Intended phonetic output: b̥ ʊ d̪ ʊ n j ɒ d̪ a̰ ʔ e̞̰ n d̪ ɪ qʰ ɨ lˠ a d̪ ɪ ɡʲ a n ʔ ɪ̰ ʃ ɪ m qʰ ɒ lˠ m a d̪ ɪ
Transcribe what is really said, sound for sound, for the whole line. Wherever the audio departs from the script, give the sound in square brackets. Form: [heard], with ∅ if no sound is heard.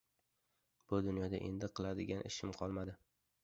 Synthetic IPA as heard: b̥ ʊ d̪ ʊ n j ɒ d̪ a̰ ʔ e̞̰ n d̪ ɪ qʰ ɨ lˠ a d̪ ɪ ɡʲ a n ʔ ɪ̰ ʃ ɪ m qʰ ɒ lˠ m a d̪ ɪ